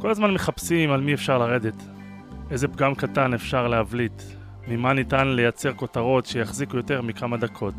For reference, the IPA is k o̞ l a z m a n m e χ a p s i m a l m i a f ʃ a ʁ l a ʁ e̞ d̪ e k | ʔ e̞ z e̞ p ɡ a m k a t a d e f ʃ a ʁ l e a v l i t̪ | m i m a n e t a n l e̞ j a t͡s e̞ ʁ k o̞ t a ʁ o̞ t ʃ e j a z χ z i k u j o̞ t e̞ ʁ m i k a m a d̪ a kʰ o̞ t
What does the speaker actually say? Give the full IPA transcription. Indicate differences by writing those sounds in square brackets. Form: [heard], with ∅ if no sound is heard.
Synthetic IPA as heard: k o̞ l a z m a n m e χ a p s i m a l m i [e] f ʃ a ʁ l a ʁ e̞ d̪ e [t] | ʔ e̞ z e̞ p ɡ a m k a t a [n] e f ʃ a ʁ l e a v l i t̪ | m i m a n [i] t a n l e̞ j a t͡s e̞ ʁ k o̞ t a ʁ o̞ t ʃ e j a [∅] χ z i k u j o̞ t e̞ ʁ m i k a m a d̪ a kʰ o̞ t